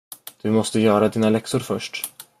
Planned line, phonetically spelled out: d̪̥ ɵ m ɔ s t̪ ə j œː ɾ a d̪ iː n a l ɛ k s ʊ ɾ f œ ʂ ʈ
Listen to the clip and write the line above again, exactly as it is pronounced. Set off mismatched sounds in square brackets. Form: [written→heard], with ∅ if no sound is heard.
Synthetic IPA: d̪̥ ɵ m ɔ s t̪ ə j œː ɾ a d̪ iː n a l ɛ k s ʊ ɾ f œ ʂ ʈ